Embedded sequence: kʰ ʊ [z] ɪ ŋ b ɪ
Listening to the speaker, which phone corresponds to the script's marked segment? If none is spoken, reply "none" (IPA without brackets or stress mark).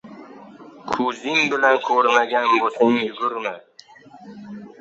z